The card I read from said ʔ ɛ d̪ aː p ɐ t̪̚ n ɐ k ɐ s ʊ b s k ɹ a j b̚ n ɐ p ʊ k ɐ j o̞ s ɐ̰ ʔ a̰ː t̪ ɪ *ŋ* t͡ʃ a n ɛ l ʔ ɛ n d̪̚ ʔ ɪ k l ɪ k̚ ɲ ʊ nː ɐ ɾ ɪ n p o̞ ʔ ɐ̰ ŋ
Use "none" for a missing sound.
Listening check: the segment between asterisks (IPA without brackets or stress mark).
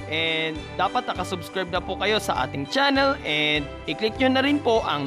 ŋ